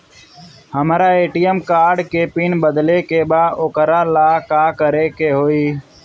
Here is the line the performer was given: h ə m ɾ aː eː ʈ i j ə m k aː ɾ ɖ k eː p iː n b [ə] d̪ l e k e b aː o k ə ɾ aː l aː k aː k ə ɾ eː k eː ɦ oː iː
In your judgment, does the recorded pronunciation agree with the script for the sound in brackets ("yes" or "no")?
yes